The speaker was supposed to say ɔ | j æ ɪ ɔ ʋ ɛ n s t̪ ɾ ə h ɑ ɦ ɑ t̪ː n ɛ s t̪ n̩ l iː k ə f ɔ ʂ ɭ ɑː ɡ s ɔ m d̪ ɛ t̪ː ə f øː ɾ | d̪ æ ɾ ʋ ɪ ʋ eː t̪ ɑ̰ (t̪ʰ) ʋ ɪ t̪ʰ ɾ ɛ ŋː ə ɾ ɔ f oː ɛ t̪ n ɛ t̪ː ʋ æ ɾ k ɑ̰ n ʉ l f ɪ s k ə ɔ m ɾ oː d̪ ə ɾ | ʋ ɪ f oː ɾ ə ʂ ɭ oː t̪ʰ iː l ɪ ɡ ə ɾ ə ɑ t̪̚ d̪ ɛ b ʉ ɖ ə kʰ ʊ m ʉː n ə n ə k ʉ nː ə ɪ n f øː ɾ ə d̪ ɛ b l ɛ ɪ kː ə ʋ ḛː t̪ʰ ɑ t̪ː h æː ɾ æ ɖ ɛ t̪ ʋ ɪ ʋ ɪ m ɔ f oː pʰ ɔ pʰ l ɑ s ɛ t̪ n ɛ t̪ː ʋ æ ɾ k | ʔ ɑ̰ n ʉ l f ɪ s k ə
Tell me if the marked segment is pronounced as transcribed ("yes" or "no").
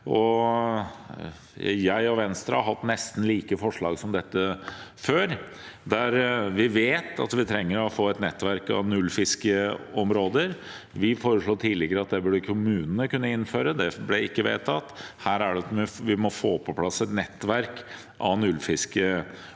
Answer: no